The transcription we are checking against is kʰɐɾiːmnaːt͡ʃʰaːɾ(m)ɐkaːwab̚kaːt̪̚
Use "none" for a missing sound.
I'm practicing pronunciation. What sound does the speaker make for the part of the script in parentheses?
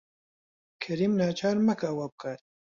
m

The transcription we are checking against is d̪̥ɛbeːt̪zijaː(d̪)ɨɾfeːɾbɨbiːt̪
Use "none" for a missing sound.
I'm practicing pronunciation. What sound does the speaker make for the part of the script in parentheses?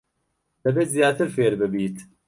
t̪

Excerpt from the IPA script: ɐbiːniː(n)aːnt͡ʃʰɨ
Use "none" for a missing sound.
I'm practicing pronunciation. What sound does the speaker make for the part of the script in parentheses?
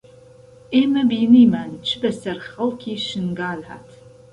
m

